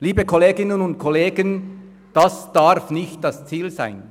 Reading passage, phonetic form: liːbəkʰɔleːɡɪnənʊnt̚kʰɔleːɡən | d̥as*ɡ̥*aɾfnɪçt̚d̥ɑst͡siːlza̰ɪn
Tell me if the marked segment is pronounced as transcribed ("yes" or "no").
no